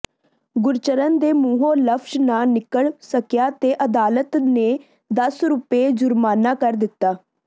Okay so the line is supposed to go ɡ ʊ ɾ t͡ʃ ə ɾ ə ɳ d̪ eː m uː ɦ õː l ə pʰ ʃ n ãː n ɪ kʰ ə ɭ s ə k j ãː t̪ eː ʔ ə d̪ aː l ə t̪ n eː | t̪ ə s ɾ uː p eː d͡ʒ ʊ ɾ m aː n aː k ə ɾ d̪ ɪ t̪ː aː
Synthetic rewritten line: ɡ ʊ ɾ t͡ʃ ə ɾ ə n d̪ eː m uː ɦ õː l ə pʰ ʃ n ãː n ɪ k ə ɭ s ə k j aː t̪ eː ʔ ə d̪ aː l ə t̪ n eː | d̪ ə s ɾ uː p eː d͡ʒ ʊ ɾ m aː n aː k ə ɾ d̪ ɪ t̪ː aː